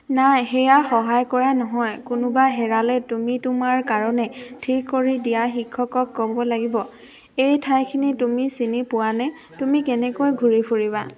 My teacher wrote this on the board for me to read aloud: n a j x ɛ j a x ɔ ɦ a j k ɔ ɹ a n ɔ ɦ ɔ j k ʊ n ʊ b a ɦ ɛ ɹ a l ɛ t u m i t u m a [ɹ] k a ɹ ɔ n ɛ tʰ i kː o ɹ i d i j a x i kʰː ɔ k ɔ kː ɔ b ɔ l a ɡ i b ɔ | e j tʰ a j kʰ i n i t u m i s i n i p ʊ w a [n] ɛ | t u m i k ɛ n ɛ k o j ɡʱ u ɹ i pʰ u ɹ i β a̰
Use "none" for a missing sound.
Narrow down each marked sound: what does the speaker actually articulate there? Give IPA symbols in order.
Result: ɹ, n

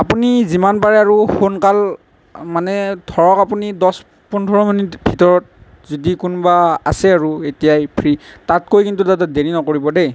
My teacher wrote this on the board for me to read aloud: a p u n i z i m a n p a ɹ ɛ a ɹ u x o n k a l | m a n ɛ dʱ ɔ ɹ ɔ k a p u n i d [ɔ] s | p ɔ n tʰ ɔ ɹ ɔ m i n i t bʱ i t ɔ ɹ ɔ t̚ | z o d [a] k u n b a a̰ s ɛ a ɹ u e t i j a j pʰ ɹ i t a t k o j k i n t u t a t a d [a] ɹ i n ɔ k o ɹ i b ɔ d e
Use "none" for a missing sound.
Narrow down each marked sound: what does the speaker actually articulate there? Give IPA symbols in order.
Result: ɔ, i, e

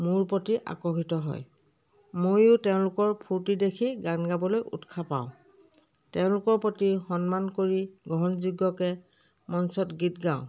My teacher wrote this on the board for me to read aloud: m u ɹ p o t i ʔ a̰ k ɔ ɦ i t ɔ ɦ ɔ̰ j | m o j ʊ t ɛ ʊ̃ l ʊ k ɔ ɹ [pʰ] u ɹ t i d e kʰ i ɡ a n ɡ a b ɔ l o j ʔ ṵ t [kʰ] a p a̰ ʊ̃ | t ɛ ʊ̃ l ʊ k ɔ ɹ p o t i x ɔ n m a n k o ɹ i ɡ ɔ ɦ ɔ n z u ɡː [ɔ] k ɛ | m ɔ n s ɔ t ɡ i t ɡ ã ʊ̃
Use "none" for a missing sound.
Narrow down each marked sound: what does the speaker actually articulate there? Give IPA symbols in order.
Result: pʰ, kʰ, ɔ

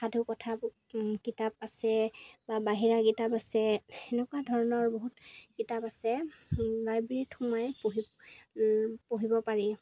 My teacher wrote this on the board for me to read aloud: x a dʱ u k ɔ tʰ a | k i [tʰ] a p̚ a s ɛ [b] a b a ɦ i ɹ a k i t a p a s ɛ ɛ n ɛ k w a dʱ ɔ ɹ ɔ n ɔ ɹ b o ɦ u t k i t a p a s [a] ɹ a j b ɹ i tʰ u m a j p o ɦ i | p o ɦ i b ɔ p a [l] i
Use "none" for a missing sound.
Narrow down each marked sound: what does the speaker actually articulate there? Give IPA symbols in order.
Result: t, b, ɛ, ɹ

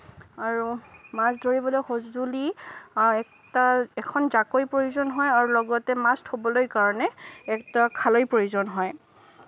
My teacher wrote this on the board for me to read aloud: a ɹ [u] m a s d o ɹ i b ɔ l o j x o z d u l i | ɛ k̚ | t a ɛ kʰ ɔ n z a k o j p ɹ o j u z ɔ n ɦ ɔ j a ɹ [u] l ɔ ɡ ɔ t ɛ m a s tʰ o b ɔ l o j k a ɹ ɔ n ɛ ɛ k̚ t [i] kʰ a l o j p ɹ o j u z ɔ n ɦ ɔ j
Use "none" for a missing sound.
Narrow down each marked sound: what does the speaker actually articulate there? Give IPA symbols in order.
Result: u, u, a

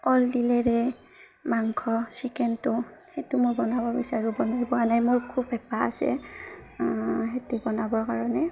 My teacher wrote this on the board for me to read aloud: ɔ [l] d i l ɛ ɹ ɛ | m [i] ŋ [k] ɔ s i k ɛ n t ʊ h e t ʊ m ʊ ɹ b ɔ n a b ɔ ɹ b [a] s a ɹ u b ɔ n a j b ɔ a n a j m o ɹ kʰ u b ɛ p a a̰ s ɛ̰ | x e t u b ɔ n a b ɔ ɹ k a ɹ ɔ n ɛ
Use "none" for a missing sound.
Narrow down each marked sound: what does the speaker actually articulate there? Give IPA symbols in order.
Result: l, a, kʰ, i

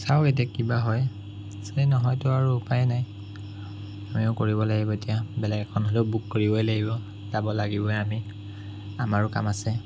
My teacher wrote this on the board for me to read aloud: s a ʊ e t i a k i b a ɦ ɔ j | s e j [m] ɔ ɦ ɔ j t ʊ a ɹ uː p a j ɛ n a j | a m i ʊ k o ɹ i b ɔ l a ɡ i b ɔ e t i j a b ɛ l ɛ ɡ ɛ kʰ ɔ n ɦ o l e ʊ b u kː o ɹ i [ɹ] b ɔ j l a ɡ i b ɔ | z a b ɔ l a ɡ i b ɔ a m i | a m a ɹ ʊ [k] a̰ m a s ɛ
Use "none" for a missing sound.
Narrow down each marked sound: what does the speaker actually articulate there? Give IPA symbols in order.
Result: n, none, k

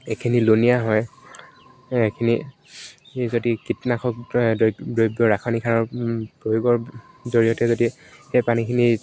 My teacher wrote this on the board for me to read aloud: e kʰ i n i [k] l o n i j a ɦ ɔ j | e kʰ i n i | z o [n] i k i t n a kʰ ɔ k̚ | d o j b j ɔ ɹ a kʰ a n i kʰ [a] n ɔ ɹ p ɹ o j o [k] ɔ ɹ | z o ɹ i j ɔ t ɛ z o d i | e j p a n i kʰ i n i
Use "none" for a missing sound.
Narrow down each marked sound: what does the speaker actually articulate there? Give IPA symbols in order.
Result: none, d, a, ɡ

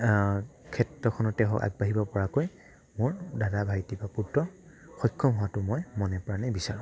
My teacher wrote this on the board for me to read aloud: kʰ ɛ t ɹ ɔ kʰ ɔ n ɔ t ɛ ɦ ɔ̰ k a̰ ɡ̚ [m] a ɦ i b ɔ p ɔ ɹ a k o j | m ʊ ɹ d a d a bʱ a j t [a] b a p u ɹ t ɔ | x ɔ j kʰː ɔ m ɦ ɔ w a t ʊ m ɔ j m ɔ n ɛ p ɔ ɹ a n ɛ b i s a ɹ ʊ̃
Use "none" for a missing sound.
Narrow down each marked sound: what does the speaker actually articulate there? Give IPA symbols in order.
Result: b, i

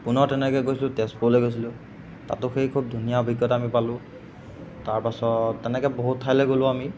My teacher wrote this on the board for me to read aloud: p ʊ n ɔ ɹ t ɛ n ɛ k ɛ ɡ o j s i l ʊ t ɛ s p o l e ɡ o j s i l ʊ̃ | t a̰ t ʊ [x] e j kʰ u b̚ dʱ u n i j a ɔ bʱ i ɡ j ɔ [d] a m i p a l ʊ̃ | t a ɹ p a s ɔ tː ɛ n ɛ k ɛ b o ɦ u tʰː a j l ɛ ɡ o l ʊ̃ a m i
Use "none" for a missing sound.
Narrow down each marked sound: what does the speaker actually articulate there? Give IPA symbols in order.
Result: x, t

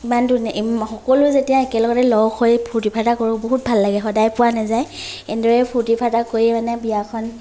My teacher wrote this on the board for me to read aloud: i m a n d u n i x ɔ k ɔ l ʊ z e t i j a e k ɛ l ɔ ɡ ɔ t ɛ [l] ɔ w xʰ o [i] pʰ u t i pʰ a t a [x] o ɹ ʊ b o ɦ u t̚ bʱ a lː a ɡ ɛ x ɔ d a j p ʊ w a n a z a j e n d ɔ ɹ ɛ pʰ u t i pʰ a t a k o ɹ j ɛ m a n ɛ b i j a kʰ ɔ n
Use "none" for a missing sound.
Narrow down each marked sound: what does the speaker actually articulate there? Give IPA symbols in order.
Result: l, j, k

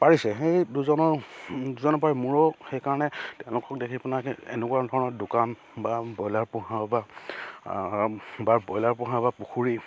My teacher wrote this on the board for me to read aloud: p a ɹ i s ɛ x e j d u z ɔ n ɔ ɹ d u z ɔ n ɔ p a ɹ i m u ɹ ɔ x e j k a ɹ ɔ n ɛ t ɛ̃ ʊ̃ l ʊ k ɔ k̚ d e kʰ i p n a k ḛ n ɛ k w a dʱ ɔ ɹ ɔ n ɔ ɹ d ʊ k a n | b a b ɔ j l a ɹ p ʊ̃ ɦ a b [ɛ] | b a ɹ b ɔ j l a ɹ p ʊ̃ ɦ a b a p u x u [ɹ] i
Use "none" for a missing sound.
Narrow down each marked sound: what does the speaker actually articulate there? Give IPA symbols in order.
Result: a, ɹ

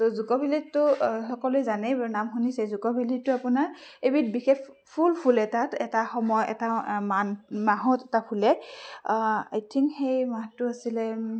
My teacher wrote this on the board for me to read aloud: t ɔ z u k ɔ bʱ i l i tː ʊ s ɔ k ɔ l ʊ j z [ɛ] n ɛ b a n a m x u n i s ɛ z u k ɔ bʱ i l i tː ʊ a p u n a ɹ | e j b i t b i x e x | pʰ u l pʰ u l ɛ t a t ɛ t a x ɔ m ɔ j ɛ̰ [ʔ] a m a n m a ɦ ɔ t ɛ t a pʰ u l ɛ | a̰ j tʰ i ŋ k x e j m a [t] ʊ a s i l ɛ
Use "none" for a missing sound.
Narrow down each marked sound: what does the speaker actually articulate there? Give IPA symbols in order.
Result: a, t, t

